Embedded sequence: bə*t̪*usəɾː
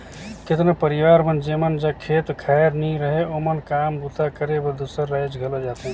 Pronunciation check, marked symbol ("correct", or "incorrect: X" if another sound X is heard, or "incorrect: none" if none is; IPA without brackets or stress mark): incorrect: d̪